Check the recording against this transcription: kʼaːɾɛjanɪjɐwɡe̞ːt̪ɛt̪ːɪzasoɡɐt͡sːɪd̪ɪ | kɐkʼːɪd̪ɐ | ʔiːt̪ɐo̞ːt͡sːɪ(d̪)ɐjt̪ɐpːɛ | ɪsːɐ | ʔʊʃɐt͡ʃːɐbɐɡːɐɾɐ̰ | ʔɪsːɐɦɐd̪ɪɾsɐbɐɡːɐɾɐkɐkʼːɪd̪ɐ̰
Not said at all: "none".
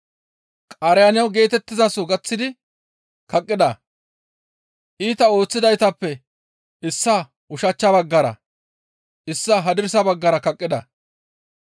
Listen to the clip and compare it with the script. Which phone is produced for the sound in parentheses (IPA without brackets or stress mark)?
d̪